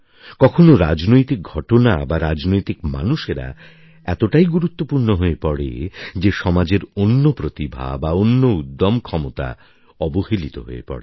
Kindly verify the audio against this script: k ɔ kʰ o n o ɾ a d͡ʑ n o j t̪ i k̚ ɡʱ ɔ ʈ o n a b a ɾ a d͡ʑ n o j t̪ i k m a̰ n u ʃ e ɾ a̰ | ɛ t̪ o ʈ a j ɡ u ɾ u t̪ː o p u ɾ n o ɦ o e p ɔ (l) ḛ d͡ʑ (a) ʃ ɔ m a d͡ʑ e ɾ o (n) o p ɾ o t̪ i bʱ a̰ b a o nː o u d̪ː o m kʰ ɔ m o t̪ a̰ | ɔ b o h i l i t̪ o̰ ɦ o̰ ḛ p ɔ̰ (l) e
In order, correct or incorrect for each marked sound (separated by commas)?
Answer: incorrect, incorrect, incorrect, incorrect